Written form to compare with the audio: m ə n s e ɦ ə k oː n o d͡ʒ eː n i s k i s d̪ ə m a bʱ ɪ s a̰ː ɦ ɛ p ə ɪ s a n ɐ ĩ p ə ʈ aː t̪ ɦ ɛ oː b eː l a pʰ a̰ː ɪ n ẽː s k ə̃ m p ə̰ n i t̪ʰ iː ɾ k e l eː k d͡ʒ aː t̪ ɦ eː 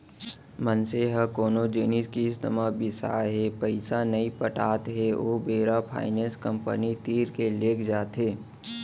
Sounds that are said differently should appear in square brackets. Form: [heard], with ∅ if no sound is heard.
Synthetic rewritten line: m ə n s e ɦ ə k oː n o d͡ʒ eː n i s k i s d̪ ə m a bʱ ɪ s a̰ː ɦ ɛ p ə ɪ s a n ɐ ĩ p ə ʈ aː t̪ ɦ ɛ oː b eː [ɾ] a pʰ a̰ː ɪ n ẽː s k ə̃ m p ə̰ n i [t̪] iː ɾ k e l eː k d͡ʒ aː t̪ ɦ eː